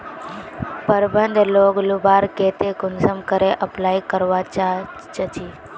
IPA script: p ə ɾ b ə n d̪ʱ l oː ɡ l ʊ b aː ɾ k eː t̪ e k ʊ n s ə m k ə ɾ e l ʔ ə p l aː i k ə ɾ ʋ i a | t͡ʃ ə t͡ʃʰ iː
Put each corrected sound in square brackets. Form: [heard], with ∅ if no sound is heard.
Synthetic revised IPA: p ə ɾ b ə n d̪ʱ l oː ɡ l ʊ b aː ɾ k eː t̪ e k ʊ n s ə m k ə ɾ e [∅] ʔ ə p l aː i k ə ɾ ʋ [a] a | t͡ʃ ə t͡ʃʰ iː